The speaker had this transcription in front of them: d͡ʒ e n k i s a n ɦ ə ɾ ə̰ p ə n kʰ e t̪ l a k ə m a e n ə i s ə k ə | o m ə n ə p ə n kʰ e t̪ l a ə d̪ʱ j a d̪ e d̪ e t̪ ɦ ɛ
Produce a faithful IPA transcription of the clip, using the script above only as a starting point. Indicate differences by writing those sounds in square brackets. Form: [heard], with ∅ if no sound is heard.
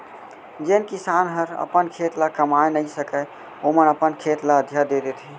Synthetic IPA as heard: d͡ʒ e n k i s a n ɦ ə ɾ ə̰ p ə n kʰ e t̪ l a k ə m a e n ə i s ə k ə | o m ə n ə p ə n kʰ e t̪ l a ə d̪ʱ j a d̪ e d̪ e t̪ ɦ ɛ